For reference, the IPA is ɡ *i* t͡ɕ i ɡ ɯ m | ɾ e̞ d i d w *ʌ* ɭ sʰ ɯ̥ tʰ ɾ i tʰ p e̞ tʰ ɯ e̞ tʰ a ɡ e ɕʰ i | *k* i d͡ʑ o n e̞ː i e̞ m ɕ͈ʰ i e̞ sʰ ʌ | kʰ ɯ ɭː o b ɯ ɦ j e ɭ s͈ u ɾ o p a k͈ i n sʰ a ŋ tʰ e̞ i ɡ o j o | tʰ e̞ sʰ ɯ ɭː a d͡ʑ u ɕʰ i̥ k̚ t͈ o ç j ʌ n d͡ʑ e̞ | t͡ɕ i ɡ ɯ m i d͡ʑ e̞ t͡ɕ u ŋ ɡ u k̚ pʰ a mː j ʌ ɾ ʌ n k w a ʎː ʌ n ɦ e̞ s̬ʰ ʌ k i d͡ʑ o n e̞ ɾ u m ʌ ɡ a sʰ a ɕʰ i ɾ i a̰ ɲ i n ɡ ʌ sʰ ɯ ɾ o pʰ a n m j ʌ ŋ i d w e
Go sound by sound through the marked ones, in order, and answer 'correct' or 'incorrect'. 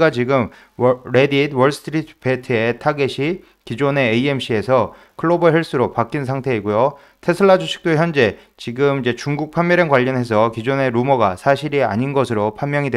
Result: incorrect, correct, correct

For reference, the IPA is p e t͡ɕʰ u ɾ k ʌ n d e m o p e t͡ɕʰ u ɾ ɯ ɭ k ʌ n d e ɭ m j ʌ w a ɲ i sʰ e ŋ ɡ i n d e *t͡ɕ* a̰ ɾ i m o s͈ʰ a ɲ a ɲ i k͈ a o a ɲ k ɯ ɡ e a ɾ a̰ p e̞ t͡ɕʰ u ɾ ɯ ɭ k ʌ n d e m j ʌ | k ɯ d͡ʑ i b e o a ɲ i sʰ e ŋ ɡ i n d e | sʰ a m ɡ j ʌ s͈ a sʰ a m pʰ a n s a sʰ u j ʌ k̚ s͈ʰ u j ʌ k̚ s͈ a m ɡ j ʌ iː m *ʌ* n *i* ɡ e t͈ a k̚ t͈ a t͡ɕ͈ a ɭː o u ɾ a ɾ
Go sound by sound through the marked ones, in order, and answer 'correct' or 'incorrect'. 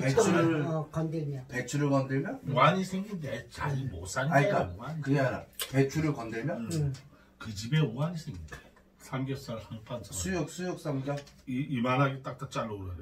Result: correct, incorrect, incorrect

